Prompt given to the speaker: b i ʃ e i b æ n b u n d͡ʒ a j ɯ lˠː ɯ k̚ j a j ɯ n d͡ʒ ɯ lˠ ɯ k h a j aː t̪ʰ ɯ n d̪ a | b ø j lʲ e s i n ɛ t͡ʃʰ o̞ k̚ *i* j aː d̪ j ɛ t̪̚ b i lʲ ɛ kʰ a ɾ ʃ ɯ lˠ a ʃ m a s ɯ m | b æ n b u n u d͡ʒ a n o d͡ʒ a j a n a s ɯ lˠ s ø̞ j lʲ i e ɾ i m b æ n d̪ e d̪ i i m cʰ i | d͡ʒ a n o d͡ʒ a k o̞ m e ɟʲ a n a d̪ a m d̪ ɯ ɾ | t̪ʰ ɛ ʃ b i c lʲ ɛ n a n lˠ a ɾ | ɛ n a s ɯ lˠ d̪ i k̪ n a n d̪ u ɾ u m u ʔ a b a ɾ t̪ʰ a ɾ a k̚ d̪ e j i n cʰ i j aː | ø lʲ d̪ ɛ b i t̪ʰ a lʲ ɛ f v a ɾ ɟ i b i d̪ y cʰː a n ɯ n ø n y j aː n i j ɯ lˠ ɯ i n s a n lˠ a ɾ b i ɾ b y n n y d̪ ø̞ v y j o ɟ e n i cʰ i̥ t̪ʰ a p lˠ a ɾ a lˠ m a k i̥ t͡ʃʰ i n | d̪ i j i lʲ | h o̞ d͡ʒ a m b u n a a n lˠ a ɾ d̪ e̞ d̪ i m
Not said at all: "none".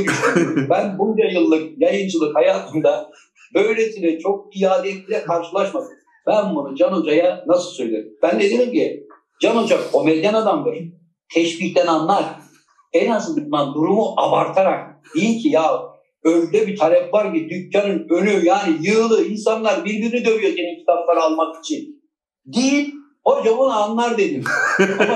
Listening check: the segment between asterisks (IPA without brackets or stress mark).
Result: i